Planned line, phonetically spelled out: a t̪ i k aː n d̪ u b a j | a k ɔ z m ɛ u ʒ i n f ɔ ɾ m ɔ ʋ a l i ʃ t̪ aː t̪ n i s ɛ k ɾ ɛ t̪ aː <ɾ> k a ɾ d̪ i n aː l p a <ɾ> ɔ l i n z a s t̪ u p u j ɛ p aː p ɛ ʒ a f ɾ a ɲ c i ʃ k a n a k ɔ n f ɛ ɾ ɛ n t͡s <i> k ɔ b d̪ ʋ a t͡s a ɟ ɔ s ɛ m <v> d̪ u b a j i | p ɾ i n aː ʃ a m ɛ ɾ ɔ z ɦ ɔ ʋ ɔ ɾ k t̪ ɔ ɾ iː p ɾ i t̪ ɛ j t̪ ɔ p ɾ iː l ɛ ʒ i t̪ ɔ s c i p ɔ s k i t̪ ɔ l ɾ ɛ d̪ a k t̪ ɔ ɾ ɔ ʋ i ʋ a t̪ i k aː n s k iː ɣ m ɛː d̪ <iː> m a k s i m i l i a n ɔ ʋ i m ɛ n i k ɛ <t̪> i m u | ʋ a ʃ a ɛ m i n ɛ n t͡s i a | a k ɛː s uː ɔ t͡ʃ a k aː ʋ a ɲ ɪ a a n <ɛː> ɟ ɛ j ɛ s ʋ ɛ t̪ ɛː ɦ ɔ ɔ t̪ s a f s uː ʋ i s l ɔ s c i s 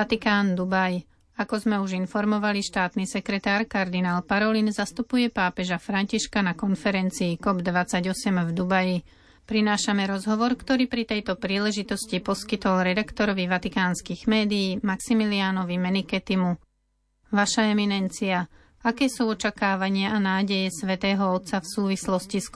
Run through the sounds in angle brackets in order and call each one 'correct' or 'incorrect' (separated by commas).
correct, correct, incorrect, correct, correct, correct, incorrect